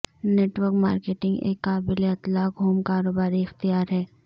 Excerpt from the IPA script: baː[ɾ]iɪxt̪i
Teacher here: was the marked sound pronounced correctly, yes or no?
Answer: yes